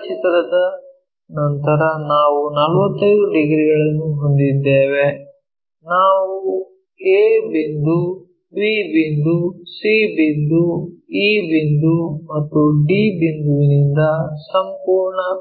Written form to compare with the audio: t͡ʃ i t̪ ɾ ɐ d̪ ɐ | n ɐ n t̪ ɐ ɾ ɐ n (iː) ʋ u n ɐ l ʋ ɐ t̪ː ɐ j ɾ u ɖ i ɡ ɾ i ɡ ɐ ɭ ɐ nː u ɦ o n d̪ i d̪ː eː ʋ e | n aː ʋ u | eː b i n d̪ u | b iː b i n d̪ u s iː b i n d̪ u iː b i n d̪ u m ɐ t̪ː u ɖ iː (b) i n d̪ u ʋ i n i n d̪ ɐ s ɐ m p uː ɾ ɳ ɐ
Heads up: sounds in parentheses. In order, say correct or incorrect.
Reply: incorrect, correct

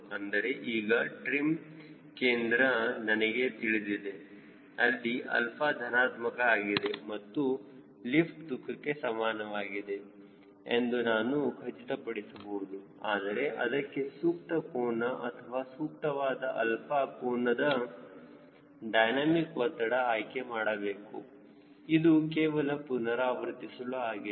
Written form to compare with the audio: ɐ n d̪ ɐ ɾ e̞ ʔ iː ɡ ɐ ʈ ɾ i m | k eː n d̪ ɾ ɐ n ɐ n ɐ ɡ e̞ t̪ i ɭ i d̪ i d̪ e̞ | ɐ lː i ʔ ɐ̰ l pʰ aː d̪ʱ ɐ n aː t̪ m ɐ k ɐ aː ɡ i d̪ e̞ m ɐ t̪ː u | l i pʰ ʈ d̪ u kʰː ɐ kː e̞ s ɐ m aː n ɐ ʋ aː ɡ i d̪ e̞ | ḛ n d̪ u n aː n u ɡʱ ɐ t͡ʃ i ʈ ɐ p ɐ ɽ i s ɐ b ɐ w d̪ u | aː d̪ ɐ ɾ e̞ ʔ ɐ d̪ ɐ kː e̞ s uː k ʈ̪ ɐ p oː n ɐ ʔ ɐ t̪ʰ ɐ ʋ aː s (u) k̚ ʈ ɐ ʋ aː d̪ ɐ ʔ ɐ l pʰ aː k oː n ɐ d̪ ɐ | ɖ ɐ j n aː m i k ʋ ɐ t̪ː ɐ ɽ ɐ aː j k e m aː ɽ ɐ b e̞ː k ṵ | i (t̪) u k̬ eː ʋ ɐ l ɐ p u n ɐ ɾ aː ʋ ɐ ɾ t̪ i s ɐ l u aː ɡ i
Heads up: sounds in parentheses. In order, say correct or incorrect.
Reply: incorrect, incorrect

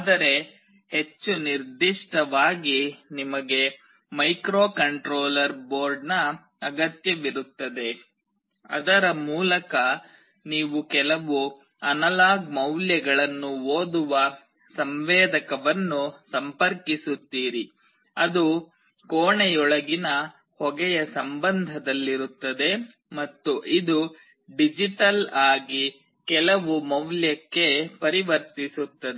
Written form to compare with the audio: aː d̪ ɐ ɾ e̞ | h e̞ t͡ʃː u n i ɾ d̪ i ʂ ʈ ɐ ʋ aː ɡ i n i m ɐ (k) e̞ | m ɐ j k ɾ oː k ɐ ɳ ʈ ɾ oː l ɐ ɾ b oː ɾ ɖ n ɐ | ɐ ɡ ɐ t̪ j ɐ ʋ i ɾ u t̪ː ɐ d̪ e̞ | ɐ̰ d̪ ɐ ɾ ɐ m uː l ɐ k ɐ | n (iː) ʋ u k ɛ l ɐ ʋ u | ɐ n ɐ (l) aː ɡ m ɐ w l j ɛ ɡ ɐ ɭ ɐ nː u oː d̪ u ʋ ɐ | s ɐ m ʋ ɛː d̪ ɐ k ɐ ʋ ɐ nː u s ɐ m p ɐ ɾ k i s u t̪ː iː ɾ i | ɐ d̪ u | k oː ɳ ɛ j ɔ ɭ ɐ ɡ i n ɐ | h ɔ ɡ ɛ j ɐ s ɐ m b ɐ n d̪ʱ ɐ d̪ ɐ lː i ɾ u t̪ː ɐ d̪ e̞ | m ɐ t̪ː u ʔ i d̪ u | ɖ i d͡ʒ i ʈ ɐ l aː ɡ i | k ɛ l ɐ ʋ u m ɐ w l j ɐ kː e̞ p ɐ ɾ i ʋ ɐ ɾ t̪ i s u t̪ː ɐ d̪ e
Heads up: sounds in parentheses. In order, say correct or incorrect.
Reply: incorrect, correct, correct

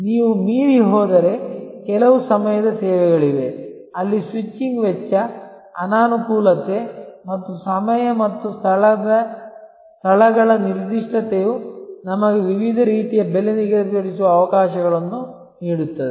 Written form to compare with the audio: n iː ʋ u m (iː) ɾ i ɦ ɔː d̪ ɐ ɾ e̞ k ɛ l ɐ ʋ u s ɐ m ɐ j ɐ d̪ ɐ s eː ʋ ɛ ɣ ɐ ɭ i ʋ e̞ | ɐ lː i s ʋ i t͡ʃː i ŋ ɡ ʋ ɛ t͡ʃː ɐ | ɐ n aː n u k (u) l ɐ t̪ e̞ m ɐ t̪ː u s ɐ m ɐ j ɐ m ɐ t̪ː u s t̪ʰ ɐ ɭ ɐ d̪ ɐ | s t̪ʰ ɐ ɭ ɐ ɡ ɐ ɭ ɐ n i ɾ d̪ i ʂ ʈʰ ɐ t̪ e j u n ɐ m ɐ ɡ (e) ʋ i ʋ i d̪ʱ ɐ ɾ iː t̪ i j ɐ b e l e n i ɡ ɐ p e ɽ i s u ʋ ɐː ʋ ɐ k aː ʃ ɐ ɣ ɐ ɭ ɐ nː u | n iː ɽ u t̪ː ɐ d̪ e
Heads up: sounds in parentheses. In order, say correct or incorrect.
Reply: correct, incorrect, correct

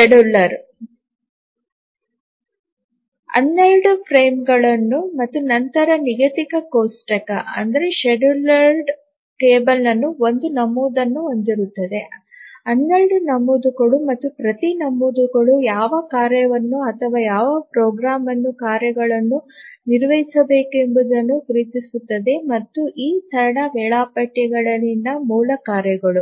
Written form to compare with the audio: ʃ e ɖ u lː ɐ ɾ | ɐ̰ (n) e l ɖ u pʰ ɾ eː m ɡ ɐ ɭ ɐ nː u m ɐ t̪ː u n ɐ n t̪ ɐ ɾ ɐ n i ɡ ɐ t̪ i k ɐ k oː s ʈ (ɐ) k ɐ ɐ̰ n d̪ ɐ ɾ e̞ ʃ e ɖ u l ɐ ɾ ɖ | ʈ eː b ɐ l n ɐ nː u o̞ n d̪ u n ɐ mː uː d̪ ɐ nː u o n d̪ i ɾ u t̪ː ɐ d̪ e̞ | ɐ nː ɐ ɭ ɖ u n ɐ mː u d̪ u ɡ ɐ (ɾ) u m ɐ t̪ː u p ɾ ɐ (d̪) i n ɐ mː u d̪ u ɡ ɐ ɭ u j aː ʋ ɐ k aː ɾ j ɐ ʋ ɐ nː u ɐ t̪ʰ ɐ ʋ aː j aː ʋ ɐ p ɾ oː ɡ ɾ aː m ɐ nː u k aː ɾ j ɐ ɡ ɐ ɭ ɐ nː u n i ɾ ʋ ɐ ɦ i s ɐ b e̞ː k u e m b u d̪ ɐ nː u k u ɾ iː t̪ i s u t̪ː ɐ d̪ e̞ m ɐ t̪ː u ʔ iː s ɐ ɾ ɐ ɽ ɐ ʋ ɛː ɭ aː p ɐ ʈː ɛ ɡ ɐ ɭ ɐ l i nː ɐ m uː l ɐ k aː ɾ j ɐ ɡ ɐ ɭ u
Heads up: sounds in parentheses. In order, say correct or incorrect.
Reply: incorrect, correct, incorrect, incorrect

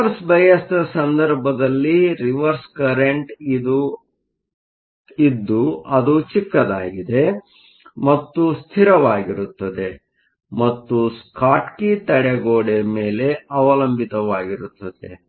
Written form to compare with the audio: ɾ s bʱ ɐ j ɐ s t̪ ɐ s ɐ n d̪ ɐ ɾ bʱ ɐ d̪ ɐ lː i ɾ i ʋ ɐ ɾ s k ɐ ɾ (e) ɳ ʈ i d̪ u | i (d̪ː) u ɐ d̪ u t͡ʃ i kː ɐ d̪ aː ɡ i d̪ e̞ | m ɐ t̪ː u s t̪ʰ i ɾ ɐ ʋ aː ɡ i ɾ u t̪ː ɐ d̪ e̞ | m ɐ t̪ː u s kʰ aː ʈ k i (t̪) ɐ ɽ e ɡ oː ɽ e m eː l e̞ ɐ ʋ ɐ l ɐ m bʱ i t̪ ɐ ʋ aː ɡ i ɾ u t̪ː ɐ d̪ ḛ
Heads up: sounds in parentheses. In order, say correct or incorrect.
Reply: correct, correct, correct

